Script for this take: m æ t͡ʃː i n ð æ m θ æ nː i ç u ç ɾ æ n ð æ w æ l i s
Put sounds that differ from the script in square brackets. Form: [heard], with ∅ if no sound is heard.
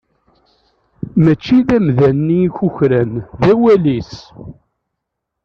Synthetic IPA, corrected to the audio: m æ t͡ʃː i [∅] ð æ m [ð] æ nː i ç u ç ɾ æ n ð æ w æ l i s